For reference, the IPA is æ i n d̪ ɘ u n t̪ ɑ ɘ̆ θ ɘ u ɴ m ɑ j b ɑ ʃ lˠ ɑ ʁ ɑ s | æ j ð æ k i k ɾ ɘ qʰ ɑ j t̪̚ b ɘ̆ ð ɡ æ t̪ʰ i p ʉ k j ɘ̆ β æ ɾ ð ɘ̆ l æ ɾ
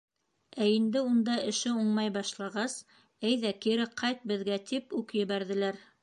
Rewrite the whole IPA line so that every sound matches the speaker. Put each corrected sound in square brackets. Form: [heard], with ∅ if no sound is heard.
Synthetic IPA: æ i n d̪ ɘ u n [d̪] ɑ ɘ̆ [ʃ] ɘ u ɴ m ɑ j b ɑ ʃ lˠ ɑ ʁ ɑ s | æ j ð æ k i [∅] ɾ ɘ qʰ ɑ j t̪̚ b ɘ̆ ð ɡ æ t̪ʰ i p ʉ k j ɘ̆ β æ ɾ ð ɘ̆ l æ ɾ